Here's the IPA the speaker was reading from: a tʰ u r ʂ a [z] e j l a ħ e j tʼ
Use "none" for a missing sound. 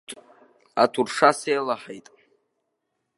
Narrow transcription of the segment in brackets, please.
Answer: s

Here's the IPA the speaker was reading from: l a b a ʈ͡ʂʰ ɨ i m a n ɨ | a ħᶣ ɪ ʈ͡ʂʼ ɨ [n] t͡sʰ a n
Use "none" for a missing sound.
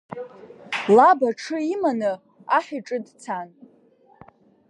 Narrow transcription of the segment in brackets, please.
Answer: d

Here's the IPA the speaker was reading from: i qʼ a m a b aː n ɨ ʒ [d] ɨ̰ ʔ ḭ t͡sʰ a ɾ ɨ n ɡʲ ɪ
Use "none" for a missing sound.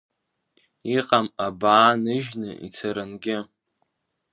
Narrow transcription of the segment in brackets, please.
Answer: n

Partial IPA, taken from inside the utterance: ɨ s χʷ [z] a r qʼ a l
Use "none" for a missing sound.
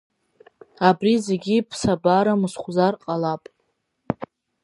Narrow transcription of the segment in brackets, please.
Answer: z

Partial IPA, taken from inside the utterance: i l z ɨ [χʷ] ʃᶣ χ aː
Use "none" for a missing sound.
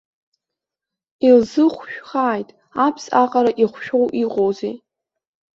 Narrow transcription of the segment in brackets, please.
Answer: χʷ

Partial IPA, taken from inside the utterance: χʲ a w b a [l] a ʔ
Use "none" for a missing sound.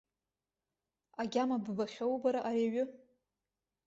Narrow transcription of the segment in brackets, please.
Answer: ɾ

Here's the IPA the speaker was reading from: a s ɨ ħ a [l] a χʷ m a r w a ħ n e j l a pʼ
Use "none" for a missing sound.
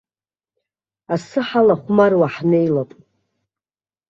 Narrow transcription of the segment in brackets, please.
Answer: l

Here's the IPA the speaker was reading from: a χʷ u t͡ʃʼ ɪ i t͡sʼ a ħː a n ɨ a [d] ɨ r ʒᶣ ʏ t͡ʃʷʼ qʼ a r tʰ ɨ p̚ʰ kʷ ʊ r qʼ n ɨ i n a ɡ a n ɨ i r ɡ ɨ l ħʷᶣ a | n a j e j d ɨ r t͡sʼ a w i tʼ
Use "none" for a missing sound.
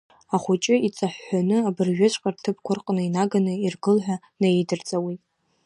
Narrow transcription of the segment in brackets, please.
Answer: b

